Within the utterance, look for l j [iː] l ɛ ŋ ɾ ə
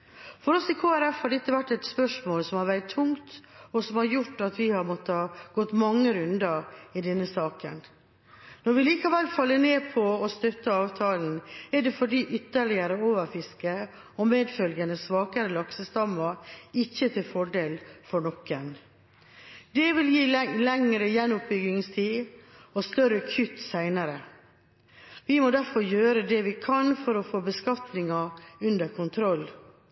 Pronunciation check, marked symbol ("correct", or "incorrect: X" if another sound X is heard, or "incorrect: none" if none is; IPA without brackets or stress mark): correct